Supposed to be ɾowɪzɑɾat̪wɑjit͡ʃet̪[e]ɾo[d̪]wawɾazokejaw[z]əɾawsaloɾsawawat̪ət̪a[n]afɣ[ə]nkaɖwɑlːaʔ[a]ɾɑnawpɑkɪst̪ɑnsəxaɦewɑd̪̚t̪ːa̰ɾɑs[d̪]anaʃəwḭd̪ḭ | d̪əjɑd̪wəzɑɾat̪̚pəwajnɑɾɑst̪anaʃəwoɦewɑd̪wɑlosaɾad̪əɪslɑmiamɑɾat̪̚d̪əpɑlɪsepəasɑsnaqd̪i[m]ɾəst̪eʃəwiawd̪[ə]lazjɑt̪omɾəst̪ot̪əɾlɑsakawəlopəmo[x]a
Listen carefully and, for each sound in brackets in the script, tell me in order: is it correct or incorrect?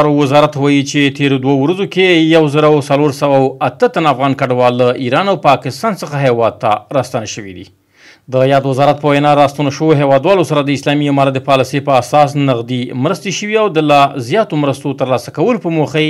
correct, correct, correct, correct, incorrect, incorrect, incorrect, correct, correct, correct

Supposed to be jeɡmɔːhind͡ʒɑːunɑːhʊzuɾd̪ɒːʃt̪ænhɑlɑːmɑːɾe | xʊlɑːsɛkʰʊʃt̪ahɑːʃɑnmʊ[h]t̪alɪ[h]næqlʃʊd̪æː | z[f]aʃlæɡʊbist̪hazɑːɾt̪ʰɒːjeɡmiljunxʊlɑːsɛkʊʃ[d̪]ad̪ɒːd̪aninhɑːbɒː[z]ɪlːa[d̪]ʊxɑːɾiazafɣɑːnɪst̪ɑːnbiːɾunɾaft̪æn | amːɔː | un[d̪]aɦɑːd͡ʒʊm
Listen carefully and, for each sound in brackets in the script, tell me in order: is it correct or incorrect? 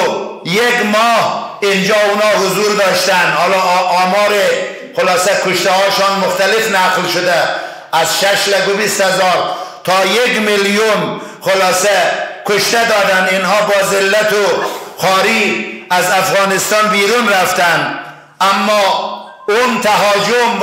incorrect, incorrect, incorrect, incorrect, correct, incorrect, incorrect

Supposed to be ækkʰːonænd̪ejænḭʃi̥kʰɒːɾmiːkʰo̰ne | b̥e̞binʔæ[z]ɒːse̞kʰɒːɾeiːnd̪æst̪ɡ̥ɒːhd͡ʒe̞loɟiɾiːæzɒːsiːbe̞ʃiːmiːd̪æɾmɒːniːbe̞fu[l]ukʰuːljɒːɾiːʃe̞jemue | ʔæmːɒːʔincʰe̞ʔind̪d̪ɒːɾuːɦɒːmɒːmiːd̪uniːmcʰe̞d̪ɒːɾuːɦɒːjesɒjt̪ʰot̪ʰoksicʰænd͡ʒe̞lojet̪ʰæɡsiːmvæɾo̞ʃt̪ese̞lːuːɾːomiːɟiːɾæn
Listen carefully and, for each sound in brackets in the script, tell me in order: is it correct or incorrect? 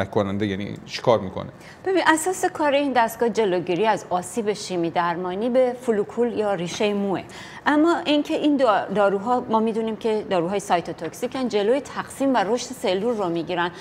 incorrect, correct

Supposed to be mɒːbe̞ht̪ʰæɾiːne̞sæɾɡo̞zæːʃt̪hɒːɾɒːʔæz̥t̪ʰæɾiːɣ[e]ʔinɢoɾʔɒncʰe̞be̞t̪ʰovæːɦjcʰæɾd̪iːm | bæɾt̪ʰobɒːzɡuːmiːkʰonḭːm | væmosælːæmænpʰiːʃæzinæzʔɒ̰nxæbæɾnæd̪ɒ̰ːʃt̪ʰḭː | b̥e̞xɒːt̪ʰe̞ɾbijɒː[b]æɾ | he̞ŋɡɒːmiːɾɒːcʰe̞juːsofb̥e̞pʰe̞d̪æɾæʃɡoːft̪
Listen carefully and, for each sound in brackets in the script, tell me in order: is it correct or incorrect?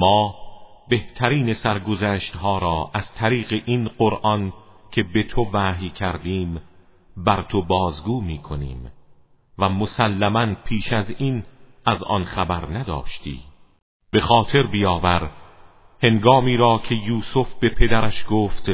correct, incorrect

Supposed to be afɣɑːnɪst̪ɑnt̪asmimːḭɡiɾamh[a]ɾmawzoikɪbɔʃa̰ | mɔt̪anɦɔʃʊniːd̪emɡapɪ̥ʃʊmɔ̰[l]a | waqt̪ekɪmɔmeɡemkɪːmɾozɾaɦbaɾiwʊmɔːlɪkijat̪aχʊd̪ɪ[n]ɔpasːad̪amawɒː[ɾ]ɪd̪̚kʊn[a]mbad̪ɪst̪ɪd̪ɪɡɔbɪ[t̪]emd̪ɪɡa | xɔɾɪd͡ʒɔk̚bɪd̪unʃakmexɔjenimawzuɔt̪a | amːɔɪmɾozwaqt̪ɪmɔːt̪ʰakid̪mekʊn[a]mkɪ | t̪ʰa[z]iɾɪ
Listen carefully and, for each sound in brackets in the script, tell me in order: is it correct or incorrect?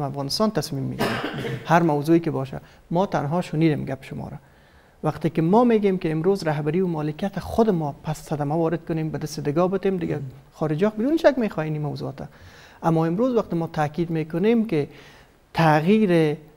correct, incorrect, incorrect, correct, incorrect, correct, incorrect, incorrect

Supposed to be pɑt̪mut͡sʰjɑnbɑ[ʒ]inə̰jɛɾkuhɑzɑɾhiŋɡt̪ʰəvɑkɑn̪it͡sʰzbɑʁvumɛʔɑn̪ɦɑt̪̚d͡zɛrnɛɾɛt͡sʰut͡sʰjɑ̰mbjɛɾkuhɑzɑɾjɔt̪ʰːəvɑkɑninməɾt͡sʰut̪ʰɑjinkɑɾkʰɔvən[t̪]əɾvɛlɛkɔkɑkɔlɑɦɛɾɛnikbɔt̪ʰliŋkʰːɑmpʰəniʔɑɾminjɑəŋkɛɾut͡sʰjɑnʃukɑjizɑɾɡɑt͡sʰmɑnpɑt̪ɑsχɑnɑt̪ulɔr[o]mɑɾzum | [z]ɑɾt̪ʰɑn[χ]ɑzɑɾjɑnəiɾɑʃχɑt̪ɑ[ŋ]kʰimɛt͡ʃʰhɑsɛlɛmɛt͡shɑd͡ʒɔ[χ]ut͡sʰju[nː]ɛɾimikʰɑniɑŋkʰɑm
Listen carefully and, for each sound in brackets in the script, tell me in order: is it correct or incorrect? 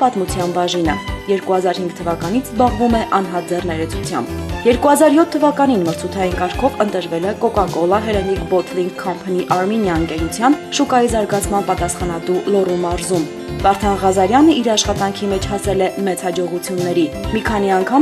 correct, correct, incorrect, incorrect, incorrect, correct, incorrect, correct

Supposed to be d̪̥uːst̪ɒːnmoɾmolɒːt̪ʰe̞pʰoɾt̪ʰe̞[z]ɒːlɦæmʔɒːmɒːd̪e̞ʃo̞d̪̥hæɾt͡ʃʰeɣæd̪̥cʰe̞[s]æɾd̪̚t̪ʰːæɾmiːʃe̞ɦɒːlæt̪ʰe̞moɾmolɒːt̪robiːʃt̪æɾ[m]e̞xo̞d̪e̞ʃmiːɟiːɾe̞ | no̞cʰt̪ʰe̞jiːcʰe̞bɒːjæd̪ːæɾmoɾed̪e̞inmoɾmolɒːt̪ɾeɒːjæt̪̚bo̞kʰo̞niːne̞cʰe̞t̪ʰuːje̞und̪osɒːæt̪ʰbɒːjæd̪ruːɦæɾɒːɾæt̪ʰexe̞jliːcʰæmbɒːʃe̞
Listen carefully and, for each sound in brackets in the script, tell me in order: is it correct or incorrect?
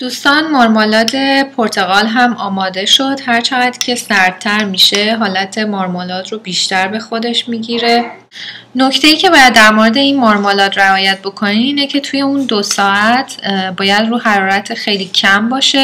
incorrect, correct, incorrect

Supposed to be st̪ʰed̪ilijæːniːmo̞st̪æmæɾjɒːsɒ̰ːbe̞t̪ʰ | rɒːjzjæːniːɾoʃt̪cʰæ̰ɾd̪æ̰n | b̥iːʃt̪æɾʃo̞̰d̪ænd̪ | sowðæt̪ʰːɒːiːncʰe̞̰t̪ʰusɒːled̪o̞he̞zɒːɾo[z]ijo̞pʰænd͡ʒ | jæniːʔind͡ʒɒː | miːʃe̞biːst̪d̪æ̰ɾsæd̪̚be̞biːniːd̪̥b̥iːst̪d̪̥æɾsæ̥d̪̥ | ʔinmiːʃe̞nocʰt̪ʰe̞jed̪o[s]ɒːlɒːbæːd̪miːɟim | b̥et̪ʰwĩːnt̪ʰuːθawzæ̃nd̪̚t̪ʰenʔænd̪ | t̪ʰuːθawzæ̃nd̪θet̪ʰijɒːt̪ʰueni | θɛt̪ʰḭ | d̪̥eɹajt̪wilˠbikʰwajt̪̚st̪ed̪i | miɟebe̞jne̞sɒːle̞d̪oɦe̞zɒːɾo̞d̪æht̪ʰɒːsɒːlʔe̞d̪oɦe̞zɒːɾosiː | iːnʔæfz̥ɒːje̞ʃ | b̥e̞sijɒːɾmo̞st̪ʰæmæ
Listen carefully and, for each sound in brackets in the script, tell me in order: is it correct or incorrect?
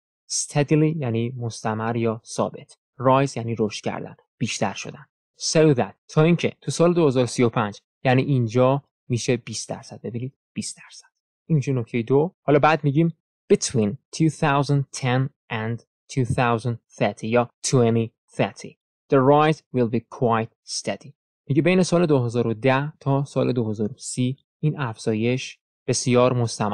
incorrect, incorrect

